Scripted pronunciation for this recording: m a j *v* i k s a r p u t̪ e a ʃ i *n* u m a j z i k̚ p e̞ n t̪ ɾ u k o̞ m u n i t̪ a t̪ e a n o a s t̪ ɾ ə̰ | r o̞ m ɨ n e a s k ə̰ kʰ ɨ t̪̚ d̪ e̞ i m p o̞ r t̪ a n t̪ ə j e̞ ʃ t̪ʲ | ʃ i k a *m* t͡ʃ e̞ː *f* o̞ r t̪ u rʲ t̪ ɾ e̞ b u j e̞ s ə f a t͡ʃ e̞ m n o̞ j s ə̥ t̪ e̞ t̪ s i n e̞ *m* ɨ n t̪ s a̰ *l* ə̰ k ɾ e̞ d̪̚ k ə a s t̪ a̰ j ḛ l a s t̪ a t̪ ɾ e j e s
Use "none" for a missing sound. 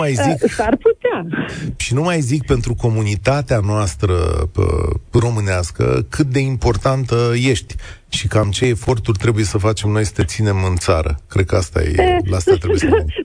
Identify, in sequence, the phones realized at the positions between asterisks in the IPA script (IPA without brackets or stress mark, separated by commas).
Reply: z, n, m, f, m, ɾ